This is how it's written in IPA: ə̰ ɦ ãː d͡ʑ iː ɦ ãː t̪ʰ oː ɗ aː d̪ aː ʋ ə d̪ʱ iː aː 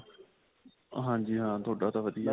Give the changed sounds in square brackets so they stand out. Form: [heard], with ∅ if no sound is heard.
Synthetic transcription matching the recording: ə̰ ɦ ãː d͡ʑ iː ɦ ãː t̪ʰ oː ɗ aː [t̪] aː ʋ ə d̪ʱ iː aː